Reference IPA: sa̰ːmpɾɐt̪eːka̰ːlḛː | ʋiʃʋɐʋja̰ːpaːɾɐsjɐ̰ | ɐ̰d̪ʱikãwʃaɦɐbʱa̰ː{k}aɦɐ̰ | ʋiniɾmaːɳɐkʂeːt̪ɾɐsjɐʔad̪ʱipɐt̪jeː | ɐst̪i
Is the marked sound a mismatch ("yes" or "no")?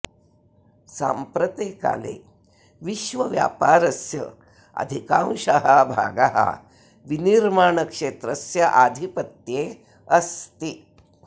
yes